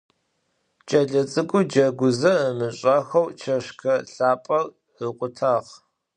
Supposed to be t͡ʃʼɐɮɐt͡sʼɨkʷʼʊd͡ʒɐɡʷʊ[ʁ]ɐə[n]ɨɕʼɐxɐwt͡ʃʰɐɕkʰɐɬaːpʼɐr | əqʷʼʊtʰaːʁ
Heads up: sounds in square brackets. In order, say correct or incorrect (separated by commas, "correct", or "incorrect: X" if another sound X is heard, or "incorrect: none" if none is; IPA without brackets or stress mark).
incorrect: z, incorrect: m